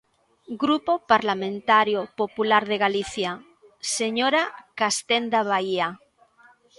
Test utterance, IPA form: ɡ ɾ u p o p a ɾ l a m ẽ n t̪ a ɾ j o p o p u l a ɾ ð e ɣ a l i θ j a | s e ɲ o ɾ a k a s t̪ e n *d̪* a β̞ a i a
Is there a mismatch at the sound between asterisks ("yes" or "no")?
no